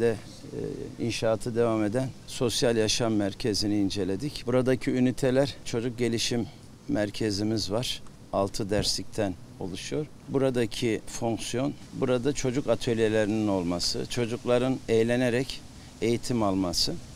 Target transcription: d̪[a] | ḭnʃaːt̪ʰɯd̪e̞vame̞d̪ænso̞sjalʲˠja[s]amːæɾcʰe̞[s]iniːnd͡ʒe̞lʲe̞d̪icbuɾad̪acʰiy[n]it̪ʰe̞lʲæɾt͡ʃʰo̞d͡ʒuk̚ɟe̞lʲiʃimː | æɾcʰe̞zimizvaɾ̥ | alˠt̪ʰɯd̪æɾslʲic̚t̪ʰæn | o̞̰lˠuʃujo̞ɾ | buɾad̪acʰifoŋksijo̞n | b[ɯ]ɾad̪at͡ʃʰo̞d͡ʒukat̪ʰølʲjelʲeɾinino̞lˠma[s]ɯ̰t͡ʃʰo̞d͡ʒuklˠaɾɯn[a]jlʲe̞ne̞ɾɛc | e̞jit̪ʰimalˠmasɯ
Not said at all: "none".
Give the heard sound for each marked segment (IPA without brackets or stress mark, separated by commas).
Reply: ɛ, ʃ, z, n, u, s, e